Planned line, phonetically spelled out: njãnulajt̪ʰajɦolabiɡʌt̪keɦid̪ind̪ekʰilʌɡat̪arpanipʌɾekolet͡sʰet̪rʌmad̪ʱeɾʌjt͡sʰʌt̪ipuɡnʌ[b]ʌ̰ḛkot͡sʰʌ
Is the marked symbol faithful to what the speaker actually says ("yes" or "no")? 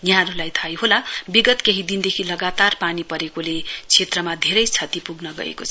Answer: no